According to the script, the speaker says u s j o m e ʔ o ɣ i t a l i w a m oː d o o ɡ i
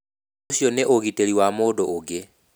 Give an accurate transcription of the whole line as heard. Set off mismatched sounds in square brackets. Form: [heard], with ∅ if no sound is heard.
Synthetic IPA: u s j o [n] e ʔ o ɣ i t [e] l i w a m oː d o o ɡ [e]